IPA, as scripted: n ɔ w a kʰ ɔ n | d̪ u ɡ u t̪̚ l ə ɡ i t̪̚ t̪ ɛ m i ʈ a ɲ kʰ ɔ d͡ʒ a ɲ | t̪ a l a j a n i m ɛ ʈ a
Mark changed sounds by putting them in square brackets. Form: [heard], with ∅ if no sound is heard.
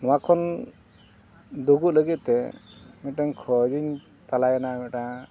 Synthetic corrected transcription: n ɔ w a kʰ ɔ n | d̪ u ɡ u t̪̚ l ə ɡ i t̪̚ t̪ ɛ m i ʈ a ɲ kʰ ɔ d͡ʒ [i] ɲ | t̪ a l a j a n [a] m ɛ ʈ a